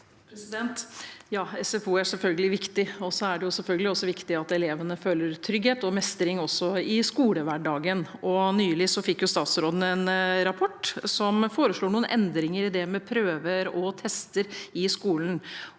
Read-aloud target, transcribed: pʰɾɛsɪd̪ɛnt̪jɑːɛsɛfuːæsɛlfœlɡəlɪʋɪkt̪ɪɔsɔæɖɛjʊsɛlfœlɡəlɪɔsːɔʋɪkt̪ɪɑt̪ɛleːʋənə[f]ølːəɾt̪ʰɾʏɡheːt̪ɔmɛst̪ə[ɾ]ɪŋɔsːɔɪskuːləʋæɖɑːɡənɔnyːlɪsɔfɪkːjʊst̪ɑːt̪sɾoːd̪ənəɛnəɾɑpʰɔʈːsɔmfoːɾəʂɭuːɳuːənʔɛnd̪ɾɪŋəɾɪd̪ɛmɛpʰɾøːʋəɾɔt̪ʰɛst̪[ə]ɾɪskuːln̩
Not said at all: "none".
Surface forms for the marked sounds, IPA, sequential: f, ɾ, ə

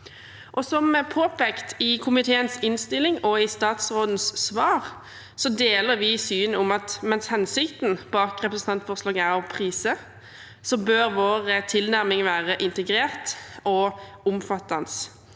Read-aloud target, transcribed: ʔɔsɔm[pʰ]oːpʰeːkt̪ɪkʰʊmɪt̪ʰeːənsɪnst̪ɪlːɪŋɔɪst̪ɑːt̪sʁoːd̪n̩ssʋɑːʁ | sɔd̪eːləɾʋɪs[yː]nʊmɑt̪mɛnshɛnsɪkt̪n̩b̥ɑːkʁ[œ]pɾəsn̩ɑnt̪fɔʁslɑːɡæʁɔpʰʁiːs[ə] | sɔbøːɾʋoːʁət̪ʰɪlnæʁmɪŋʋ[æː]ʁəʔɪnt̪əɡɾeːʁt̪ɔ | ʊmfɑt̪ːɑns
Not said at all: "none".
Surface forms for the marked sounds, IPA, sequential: pʰ, yː, ɛ, ə, æː

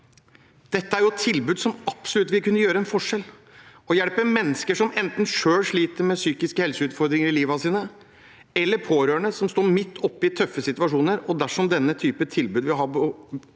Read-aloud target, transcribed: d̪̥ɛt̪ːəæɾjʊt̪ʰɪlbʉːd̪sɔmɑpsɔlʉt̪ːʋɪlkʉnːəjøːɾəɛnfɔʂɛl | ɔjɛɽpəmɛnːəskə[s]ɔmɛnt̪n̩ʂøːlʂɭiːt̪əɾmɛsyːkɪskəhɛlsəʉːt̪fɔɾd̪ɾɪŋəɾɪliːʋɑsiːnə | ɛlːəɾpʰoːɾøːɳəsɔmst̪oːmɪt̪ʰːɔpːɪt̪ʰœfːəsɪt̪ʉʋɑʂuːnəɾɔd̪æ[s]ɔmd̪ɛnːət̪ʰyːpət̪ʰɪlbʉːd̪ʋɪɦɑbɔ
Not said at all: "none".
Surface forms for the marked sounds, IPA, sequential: ʂ, ʂ

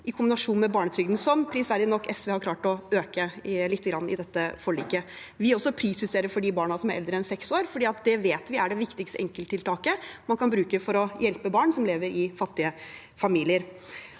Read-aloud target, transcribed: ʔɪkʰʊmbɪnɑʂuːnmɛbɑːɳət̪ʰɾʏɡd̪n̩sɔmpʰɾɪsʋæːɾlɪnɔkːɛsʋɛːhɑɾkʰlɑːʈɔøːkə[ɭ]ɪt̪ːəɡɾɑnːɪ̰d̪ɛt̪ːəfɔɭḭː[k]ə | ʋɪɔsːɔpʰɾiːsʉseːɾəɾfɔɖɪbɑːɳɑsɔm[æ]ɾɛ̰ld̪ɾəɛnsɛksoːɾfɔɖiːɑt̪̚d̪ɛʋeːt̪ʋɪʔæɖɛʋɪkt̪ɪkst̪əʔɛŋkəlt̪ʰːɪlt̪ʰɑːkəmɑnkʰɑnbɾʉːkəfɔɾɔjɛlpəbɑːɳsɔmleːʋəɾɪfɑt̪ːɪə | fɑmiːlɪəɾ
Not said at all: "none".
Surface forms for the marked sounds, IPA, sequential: l, k, æ

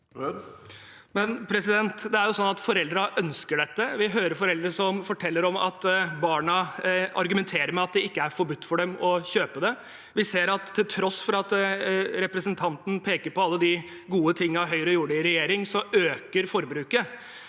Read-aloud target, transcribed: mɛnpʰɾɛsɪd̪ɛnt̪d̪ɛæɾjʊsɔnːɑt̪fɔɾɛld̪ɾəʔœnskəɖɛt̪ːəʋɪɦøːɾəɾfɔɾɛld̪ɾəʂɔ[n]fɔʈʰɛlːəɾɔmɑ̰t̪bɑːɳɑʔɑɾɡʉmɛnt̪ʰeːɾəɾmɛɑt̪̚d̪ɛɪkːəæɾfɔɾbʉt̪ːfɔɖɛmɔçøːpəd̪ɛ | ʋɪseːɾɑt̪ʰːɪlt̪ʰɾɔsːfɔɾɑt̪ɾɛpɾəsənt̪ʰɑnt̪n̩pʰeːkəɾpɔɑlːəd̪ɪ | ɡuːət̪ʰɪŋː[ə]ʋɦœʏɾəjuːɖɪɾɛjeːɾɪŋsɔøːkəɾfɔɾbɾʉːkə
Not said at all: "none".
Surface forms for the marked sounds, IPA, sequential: m, ɑ

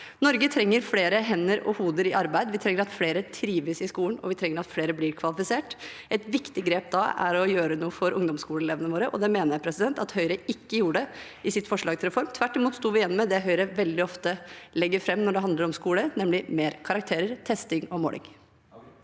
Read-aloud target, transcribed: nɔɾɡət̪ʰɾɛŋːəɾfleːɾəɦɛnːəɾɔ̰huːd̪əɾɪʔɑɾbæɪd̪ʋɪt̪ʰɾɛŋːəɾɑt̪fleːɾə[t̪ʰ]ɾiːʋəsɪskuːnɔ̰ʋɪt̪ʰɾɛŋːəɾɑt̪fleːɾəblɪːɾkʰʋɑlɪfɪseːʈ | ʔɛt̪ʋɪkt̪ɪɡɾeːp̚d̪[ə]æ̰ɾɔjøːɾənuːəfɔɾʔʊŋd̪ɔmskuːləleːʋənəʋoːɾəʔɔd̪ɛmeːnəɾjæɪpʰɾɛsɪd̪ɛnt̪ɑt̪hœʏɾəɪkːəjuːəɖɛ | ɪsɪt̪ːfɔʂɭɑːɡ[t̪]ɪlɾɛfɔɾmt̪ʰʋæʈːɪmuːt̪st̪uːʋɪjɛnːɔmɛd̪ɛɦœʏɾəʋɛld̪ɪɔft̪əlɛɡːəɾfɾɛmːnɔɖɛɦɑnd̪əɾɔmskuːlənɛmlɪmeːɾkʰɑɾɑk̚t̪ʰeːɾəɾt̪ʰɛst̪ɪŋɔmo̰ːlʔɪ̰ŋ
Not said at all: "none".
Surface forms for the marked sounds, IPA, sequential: t̪ʰ, ɑ, t̪

